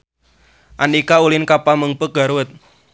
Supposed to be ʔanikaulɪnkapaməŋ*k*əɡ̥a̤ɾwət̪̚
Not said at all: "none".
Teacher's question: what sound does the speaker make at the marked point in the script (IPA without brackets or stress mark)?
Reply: p